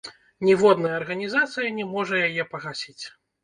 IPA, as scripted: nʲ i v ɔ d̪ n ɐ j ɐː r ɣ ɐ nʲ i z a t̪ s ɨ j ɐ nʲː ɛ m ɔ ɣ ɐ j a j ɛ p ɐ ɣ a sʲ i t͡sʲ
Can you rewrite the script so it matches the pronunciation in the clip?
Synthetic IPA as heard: nʲ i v ɔ d̪ n ɐ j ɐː r ɣ ɐ nʲ i z a t̪ s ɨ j ɐ nʲ ɛ m ɔ ʐ ɐ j a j ɛ p ɐ ɣ a sʲ i t͡sʲ

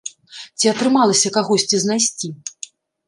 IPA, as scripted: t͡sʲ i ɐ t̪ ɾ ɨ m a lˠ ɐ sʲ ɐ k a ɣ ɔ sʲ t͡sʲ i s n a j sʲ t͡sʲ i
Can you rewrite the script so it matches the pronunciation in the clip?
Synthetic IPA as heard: t͡sʲ i ɐ t̪ ɾ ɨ m a lˠ ɐ sʲ ɐ k a ɣ ɔ sʲ t͡sʲ i z n a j sʲ t͡sʲ i

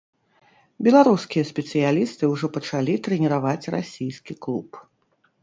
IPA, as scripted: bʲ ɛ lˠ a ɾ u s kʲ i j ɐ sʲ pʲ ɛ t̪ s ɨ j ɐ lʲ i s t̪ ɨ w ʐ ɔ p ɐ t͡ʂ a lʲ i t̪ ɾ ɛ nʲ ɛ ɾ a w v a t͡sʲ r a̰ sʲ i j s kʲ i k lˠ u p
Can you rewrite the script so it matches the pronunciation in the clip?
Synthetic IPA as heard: bʲ ɛ lˠ a ɾ u s kʲ i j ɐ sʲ pʲ ɛ t̪ s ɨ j a lʲ i s t̪ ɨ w ʐ ɔ p ɐ t͡ʂ a lʲ i t̪ ɾ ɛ nʲ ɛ ɾ a v a t͡sʲ r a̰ sʲ i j s kʲ i k lˠ u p

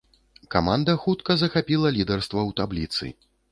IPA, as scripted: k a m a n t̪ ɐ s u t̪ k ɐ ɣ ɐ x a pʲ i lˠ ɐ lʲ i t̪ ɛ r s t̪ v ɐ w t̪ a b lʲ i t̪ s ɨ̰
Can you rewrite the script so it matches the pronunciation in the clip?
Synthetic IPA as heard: k a m a n d̪ ɐ x u t̪ k ɐ z ɐ x a pʲ i lˠ ɐ lʲ i d̪ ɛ r s t̪ v ɐ w t̪ a b lʲ i t̪ s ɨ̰

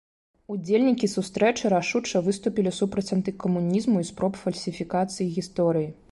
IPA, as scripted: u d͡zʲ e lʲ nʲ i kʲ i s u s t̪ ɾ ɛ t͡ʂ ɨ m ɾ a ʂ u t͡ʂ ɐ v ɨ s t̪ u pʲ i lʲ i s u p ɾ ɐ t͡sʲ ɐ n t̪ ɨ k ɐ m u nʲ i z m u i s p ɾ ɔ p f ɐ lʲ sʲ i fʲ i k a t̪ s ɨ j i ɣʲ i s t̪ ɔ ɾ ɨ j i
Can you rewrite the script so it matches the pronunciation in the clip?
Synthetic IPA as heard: u d͡zʲ e lʲ nʲ i kʲ i s u s t̪ ɾ ɛ t͡ʂ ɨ ɾ a ʂ u t͡ʂ ɐ v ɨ s t̪ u pʲ i lʲ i s u p ɾ ɐ t͡sʲ ɐ n t̪ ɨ k ɐ m u nʲ i z m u i s p ɾ ɔ p f ɐ lʲ sʲ i fʲ i k a t̪ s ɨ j i ɣʲ i s t̪ ɔ ɾ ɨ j i

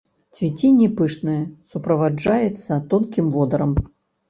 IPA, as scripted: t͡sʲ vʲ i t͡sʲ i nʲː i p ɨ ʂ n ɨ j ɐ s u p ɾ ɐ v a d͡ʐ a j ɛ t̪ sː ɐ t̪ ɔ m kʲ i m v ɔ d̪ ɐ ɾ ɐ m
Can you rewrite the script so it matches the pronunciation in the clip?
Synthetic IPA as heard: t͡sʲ vʲ i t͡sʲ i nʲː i p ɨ ʂ n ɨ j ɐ s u p ɾ ɐ v a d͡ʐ a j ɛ t̪ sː ɐ t̪ ɔ n kʲ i m v ɔ d̪ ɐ ɾ ɐ m

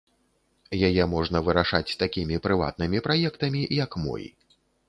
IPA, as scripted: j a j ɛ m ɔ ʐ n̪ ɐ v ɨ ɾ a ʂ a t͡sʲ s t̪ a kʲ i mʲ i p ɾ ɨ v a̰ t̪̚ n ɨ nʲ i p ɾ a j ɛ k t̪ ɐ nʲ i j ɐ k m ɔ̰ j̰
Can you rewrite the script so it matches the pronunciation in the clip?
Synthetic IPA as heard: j a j ɛ m ɔ ʐ n̪ ɐ v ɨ ɾ a ʂ a t͡sʲ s t̪ a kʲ i mʲ i p ɾ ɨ v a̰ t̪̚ n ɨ mʲ i p ɾ a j ɛ k t̪ ɐ mʲ i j ɐ k m ɔ̰ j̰

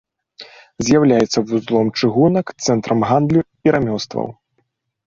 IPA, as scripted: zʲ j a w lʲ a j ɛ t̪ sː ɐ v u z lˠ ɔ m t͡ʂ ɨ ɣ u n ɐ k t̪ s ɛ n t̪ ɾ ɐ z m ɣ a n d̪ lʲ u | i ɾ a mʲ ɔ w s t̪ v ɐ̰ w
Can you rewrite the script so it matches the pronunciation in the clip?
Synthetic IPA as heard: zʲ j a w lʲ a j ɛ t̪ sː ɐ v u z lˠ ɔ m t͡ʂ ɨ ɣ u n ɐ k t̪ s ɛ n t̪ ɾ ɐ m ɣ a n d̪ lʲ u | i ɾ a mʲ ɔ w s t̪ v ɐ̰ w

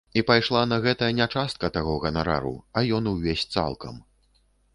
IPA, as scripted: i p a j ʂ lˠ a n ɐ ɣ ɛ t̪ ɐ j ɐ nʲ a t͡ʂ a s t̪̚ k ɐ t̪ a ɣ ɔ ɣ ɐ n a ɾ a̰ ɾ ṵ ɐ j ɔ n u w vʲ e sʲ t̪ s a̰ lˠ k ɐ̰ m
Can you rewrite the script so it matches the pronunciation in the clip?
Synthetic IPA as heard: i p a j ʂ lˠ a n ɐ ɣ ɛ t̪ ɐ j ɐ nʲ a t͡ʂ a s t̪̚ k ɐ t̪ a ɣ ɔ ɣ ɐ n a ɾ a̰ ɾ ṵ ɐ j ɔ n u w vʲ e sʲ t̪ s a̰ lˠ k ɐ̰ m

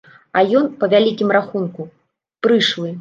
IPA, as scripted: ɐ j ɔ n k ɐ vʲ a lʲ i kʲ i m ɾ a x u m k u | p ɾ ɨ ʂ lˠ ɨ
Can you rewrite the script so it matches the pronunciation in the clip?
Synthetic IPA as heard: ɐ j ɔ n p ɐ vʲ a lʲ i kʲ i m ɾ a x u n k u | p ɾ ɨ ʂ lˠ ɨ

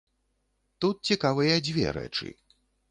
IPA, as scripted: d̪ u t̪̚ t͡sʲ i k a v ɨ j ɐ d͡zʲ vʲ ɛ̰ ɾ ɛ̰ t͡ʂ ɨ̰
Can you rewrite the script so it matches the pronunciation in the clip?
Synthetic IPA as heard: t̪ u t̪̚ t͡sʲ i k a v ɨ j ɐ d͡zʲ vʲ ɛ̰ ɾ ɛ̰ t͡ʂ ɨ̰

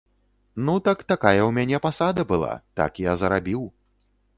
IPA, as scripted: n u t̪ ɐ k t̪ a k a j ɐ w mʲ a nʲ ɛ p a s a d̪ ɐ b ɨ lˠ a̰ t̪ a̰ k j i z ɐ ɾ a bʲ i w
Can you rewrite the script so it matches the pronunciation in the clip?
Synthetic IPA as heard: n u t̪ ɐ k t̪ a k a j ɐ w mʲ a nʲ ɛ p a s a d̪ ɐ b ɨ lˠ a̰ t̪ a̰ k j a z ɐ ɾ a bʲ i w

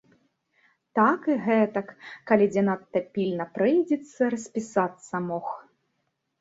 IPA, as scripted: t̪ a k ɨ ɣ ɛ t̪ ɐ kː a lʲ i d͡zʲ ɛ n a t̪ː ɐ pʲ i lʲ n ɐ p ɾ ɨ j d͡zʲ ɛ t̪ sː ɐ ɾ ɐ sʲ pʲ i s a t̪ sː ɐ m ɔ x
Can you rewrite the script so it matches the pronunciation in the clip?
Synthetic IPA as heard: t̪ a k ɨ ɣ ɛ t̪ ɐ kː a lʲ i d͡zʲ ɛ n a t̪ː ɐ pʲ i lʲ n ɐ p ɾ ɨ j d͡zʲ ɛ t̪ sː ɐ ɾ ɐ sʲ pʲ i s a t̪ sː ɐ m ɔ x

